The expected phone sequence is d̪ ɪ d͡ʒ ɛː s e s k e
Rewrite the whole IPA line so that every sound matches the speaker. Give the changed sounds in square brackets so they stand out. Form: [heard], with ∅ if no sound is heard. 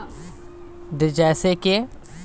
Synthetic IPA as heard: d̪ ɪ d͡ʒ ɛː s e [∅] k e